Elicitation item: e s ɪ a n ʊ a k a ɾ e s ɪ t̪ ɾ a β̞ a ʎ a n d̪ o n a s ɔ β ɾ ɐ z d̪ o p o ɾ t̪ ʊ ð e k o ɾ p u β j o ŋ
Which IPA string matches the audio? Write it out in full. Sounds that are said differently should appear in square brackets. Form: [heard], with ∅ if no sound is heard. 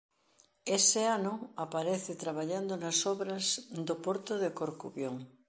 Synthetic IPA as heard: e s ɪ a n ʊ a [p] a ɾ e [θ] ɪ t̪ ɾ a β̞ a ʎ a n d̪ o n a s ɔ β ɾ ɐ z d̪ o p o ɾ t̪ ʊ ð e k o ɾ [k] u β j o ŋ